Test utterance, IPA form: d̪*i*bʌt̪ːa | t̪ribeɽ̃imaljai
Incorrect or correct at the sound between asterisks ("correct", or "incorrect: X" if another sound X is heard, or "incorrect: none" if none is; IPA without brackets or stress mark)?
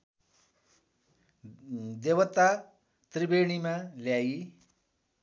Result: incorrect: e